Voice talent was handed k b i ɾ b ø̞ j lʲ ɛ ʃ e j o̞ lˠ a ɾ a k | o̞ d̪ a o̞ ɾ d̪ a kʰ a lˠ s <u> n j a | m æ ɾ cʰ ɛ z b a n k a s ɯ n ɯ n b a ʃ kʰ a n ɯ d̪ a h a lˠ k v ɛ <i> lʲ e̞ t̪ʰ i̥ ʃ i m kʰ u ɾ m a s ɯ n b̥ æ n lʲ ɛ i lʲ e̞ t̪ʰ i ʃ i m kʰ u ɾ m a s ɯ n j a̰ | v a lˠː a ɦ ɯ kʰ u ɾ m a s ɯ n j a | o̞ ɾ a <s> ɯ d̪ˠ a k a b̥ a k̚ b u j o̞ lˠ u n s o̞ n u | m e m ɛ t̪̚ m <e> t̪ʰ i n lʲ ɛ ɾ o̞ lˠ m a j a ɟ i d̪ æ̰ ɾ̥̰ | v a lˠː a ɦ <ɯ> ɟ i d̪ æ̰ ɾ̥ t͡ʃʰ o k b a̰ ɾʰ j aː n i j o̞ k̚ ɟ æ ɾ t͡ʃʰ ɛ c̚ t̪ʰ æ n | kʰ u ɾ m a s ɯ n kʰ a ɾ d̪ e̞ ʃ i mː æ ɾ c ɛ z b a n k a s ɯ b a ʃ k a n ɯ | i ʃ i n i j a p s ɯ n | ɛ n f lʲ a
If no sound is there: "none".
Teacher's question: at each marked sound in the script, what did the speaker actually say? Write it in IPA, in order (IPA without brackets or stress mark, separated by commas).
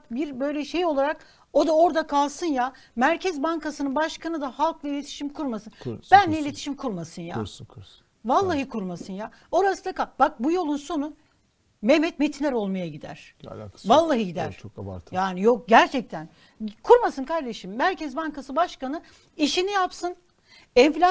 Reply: ɯ, i, s, e, ɯ